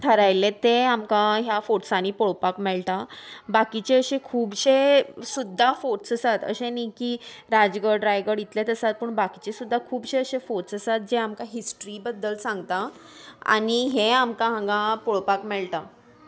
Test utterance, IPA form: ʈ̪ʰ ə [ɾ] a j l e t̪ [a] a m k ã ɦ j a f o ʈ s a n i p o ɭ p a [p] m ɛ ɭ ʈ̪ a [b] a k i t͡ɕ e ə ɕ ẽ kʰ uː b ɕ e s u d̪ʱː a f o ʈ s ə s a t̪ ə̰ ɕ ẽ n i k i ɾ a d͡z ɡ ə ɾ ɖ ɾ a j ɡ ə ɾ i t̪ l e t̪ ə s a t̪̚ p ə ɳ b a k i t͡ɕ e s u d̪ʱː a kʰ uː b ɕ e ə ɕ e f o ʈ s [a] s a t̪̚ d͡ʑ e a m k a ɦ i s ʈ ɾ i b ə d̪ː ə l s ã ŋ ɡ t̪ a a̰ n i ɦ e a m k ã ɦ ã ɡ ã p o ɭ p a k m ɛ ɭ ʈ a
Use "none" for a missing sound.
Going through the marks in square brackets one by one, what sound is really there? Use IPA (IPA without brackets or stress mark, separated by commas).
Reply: ɾ, e, k, b, ə